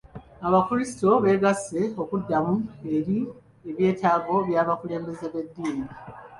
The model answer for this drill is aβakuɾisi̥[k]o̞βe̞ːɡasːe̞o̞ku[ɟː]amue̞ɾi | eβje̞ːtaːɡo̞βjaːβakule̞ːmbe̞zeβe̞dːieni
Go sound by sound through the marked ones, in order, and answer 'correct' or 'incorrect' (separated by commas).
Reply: incorrect, incorrect